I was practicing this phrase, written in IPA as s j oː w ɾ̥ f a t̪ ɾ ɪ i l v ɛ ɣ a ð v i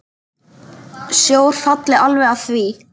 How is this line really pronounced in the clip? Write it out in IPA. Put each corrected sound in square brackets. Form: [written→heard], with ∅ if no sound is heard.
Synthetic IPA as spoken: s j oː w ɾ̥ f a t̪ [ɾ→l] ɪ [i→a] l v ɛ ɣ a [ð→θ] v i